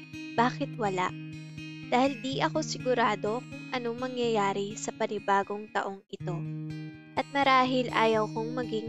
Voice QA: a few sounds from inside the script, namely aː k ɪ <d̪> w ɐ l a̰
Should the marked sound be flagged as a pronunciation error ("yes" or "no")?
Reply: yes